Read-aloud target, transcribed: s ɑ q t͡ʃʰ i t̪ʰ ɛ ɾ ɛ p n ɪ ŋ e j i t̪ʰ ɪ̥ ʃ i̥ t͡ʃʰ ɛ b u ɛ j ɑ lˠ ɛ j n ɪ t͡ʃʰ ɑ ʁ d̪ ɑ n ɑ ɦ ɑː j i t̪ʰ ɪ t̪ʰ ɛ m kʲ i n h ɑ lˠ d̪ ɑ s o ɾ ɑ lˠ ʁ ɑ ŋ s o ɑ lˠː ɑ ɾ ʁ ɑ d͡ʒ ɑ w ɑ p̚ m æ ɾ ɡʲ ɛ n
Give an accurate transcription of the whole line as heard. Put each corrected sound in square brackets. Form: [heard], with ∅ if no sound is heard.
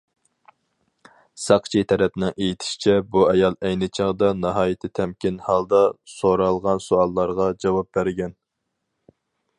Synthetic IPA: s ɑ q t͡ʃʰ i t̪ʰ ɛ ɾ ɛ p n ɪ ŋ e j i t̪ʰ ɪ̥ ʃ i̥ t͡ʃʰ ɛ b u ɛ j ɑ lˠ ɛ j n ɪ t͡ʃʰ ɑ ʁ d̪ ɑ n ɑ ɦ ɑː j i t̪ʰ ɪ t̪ʰ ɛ m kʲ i n h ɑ lˠ d̪ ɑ s o ɾ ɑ lˠ ʁ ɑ [n] s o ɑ lˠː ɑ ɾ ʁ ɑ d͡ʒ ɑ w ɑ p̚ [b] æ ɾ ɡʲ ɛ n